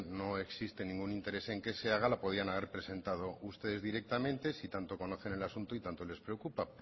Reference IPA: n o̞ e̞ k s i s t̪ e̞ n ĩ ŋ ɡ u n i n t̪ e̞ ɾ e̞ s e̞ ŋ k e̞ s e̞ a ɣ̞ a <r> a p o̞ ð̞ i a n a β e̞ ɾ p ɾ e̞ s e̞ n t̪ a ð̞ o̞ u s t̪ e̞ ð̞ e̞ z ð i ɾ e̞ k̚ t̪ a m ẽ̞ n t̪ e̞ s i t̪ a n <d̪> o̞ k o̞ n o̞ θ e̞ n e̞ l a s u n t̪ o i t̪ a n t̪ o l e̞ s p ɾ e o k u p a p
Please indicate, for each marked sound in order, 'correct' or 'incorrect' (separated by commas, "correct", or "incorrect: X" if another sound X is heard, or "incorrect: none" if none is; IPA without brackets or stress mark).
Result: incorrect: l, incorrect: t̪